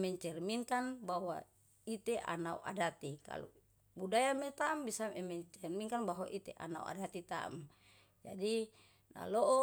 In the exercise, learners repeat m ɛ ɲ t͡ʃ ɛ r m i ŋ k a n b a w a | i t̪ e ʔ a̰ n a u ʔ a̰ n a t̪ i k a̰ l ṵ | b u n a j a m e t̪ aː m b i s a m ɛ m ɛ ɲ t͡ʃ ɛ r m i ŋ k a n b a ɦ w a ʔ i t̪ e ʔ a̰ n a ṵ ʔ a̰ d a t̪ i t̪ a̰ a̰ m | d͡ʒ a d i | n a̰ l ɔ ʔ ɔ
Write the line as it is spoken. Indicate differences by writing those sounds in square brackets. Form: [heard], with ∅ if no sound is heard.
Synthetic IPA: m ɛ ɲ t͡ʃ ɛ r m i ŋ k a n b a w a | i t̪ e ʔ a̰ n a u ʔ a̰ [d] a t̪ i k a̰ l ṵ | b u [d] a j a m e t̪ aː m b i s a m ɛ m ɛ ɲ t͡ʃ ɛ r m i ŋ k a n b a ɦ w a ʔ i t̪ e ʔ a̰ n a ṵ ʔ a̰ d a t̪ i t̪ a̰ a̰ m | d͡ʒ a d i | n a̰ l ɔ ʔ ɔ